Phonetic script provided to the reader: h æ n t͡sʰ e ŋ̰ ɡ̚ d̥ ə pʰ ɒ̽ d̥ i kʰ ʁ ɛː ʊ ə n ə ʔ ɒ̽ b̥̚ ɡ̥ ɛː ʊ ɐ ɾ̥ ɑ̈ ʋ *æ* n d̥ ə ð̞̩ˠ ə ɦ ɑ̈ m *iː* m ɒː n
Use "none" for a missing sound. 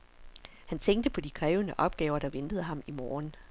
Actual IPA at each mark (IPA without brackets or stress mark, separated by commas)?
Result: e, i